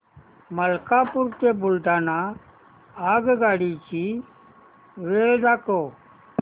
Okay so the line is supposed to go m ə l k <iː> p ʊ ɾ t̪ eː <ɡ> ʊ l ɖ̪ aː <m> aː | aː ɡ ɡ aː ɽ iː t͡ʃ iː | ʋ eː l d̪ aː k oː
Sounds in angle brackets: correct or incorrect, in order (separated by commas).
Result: incorrect, incorrect, incorrect